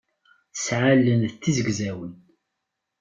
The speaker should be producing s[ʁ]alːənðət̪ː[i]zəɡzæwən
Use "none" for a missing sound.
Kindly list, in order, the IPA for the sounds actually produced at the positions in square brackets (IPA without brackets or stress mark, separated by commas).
ʕ, i